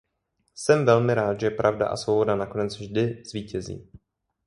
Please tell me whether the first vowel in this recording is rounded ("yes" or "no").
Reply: no